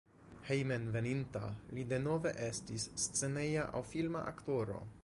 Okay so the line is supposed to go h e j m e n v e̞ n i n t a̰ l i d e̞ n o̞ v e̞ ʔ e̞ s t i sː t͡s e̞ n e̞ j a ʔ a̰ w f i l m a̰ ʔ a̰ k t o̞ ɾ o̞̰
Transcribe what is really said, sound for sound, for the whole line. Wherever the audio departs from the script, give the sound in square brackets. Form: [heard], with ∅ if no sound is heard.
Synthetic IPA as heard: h e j m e n v e̞ n i n t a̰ l i d e̞ n o̞ v e̞ ʔ e̞ s t i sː t͡s e̞ n e̞ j a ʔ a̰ w f i l m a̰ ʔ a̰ k t o̞ ɾ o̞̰